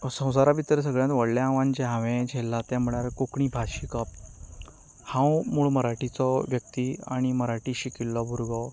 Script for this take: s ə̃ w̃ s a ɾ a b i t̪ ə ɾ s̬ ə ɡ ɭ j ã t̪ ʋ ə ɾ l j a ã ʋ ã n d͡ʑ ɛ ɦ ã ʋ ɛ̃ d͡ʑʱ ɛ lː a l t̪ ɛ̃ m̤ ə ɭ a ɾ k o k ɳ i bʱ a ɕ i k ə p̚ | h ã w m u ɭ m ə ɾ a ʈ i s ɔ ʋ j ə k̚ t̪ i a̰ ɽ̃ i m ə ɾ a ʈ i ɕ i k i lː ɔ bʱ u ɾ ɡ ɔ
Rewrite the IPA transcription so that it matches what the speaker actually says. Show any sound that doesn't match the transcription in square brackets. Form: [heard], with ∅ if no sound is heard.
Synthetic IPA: s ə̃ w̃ s a ɾ a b i t̪ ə ɾ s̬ ə ɡ ɭ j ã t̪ ʋ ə [ɽ] l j a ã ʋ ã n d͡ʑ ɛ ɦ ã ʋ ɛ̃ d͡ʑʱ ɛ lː a [∅] t̪ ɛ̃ m̤ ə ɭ a ɾ k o k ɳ i bʱ a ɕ i k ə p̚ | h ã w m u ɭ m ə ɾ a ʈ i [t͡s] ɔ ʋ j ə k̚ t̪ i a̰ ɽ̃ i m ə ɾ a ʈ i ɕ i k i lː ɔ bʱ u ɾ ɡ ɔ